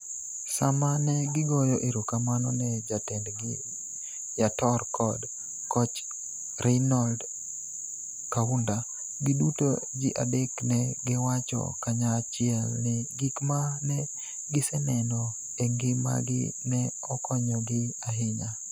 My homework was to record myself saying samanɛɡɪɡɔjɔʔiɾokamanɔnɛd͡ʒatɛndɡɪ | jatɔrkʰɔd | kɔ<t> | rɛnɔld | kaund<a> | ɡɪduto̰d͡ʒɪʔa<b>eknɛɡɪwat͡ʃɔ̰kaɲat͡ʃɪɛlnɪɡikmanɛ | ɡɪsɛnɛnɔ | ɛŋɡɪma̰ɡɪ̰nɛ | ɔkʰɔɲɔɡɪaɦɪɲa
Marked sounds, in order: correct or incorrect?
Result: incorrect: t͡ʃ, correct, incorrect: d

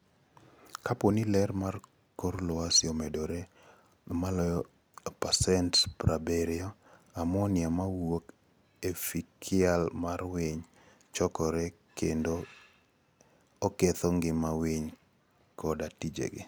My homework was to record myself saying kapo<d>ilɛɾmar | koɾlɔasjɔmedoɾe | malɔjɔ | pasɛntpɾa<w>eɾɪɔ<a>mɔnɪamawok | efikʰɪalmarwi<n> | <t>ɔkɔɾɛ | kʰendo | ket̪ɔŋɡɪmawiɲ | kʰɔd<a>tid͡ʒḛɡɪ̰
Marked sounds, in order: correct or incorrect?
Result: incorrect: n, incorrect: b, correct, incorrect: ɲ, incorrect: t͡ʃ, correct

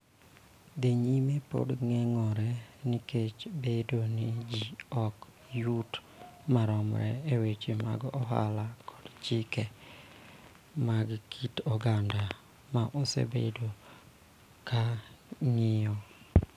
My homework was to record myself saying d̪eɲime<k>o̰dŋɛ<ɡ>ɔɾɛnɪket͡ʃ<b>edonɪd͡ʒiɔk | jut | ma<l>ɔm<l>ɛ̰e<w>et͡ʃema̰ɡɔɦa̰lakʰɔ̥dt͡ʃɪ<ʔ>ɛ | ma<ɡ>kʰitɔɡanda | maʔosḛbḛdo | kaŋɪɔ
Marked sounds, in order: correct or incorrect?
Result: incorrect: p, incorrect: ŋ, correct, incorrect: ɾ, incorrect: ɾ, correct, incorrect: k, correct

